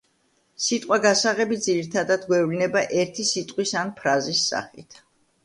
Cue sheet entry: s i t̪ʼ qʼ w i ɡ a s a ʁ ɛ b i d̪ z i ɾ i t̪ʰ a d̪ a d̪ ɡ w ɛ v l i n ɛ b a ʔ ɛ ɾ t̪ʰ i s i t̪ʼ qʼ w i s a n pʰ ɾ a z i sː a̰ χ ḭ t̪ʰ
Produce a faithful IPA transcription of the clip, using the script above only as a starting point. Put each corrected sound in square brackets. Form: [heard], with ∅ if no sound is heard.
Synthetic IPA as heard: s i t̪ʼ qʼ w [a] ɡ a s a ʁ ɛ b i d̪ z i ɾ i t̪ʰ a d̪ a d̪ ɡ w ɛ v l i n ɛ b a ʔ ɛ ɾ t̪ʰ i s i t̪ʼ qʼ w i s a n pʰ ɾ a z i sː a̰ χ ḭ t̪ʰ